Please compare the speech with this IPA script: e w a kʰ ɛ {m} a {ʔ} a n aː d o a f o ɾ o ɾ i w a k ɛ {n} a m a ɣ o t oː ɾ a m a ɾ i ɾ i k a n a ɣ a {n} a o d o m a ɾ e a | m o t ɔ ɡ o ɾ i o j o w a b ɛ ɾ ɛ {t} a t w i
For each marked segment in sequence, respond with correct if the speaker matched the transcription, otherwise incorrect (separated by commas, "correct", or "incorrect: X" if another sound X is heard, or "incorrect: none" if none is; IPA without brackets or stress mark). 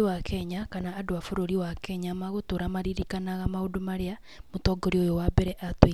incorrect: ɲ, incorrect: k, incorrect: ɲ, incorrect: m, incorrect: ʔ